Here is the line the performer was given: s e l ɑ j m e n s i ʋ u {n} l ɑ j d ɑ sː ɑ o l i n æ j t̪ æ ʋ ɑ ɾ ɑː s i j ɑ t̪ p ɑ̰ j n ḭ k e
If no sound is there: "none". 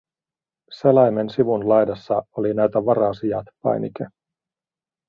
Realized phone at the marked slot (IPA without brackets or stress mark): n